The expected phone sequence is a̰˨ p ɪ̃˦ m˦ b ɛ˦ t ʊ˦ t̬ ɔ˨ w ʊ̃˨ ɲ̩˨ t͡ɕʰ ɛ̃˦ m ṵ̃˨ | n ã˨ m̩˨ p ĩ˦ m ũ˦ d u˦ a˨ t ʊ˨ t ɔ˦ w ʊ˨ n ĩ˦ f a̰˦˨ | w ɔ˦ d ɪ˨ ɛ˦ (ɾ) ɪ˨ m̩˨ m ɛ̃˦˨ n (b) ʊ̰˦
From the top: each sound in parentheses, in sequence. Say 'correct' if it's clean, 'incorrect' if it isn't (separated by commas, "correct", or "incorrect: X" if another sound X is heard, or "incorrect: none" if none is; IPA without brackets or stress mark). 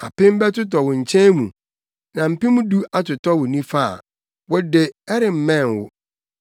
correct, incorrect: w